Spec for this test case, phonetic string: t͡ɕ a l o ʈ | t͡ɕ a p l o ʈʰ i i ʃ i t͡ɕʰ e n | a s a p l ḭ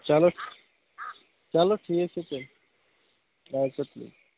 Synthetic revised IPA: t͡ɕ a l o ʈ | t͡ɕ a l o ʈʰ i e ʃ e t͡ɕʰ e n | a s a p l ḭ